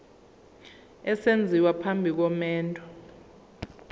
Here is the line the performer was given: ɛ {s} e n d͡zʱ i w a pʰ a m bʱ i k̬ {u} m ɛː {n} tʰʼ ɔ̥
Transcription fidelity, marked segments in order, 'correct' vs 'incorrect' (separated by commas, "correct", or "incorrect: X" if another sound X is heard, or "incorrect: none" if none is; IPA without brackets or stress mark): correct, incorrect: ɔ, correct